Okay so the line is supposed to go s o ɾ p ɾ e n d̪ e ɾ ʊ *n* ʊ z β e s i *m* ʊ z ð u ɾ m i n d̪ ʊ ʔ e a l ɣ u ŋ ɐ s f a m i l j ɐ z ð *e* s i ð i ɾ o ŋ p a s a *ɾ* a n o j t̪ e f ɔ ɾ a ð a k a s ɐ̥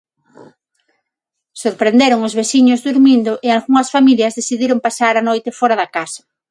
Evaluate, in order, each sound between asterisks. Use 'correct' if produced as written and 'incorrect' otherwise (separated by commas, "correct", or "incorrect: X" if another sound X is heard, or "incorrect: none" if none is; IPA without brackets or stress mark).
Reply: incorrect: ŋ, incorrect: ɲ, correct, correct